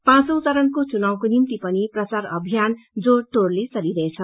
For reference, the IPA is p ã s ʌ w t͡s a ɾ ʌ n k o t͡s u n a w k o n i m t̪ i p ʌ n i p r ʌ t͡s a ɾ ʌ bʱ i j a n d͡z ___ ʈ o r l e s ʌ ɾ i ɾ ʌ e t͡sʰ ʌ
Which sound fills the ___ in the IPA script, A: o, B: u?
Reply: A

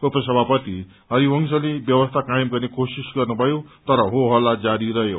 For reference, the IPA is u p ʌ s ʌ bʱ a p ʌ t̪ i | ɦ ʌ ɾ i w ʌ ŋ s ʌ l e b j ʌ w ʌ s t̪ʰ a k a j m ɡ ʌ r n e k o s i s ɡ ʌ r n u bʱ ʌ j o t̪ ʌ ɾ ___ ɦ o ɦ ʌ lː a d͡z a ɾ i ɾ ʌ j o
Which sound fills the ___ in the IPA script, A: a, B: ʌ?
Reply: B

